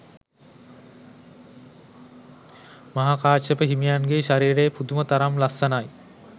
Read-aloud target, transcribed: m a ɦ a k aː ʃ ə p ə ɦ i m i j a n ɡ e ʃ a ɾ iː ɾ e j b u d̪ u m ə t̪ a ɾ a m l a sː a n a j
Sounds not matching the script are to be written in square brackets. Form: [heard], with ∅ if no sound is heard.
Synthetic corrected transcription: m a ɦ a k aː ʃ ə p ə ɦ i m i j a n ɡ e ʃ a ɾ iː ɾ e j [p] u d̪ u m ə t̪ a ɾ a m l a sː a n a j